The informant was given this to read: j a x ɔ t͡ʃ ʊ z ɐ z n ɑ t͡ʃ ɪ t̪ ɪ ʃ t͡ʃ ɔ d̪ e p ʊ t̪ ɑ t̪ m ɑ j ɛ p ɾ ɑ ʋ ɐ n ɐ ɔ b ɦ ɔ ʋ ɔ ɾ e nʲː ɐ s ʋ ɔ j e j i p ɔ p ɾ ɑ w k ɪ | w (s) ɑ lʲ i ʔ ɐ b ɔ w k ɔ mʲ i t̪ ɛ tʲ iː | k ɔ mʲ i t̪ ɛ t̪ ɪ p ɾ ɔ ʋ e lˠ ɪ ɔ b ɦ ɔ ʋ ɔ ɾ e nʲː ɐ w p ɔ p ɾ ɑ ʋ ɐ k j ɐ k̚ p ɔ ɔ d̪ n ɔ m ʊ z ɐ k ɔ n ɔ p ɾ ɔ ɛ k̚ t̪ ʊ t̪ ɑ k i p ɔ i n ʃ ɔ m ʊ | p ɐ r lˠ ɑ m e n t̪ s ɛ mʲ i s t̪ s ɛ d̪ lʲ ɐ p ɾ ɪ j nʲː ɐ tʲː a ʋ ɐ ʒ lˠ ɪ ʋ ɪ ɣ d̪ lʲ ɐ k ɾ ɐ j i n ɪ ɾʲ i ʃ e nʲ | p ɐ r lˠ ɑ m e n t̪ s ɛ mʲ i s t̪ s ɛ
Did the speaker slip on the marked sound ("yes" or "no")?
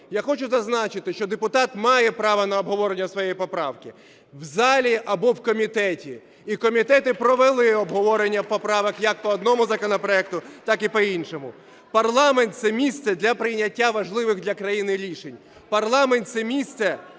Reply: yes